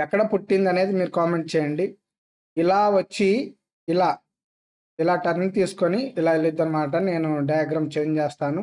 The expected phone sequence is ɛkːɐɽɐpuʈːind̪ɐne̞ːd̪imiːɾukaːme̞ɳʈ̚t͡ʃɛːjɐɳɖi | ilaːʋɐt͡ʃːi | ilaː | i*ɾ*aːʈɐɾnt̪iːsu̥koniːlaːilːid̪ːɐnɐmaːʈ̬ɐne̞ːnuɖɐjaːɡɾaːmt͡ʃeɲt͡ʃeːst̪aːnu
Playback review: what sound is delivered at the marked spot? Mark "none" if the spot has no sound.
l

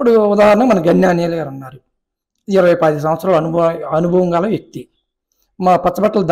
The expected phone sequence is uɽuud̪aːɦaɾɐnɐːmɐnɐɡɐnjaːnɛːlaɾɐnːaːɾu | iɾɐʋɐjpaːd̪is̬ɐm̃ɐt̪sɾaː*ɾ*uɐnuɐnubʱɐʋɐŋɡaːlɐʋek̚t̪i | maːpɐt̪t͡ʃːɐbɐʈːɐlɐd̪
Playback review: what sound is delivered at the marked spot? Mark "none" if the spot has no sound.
l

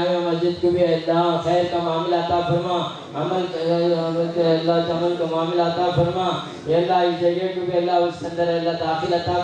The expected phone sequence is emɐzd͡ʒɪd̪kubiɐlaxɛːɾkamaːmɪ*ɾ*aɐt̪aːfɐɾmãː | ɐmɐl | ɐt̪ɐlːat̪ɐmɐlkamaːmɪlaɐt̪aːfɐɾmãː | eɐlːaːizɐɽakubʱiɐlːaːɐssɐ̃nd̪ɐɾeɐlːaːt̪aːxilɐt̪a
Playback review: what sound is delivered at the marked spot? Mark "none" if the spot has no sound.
l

